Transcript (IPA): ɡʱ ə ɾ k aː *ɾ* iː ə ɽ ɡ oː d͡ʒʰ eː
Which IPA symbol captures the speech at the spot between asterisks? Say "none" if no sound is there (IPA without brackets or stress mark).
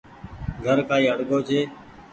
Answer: none